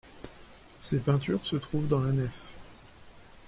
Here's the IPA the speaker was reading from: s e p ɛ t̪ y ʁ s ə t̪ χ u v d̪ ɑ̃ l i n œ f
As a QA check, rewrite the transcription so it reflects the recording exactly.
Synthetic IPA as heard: s e p ɛ̃ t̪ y ʁ s ə t̪ χ u v d̪ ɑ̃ l a n ɛ f